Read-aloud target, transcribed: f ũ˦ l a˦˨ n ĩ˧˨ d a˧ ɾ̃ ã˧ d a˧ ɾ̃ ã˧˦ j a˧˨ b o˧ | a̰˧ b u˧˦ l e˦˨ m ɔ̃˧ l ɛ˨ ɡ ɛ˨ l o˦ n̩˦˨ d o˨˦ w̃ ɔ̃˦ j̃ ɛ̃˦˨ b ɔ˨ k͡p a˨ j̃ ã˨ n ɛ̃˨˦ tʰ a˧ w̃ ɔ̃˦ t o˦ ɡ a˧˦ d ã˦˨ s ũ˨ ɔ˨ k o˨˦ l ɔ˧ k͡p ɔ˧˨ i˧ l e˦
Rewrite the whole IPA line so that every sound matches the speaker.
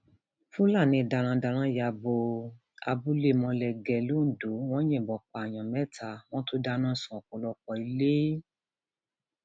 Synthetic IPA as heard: f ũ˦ l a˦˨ n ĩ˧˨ d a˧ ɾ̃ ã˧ d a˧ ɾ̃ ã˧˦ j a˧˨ b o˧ | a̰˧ b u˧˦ l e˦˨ m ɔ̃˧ l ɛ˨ ɡ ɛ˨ l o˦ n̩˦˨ d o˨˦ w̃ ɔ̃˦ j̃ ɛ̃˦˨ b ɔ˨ k͡p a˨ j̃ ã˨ m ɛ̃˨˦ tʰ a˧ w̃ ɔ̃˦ t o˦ d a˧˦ n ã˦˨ s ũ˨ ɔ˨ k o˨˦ l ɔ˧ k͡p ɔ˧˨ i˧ l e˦